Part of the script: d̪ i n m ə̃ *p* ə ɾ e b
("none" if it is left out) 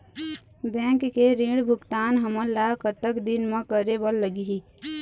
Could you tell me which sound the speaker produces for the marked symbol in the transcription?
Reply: k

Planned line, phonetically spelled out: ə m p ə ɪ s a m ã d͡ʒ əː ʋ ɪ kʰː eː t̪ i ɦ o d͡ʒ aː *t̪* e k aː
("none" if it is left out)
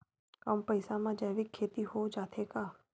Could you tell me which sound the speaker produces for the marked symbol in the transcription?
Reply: t̪ʰ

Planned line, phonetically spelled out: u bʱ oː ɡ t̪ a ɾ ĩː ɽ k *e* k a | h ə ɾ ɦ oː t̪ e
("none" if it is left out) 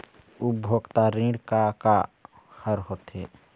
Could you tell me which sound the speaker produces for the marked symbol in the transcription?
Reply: a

